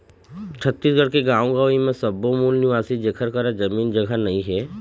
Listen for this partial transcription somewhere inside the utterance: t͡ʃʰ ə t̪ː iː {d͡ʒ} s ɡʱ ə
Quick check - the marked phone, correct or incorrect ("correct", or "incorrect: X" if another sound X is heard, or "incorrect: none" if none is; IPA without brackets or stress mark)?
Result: incorrect: none